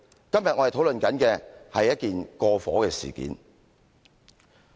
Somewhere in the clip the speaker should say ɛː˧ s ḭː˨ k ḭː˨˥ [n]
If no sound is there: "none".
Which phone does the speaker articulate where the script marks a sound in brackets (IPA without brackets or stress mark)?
n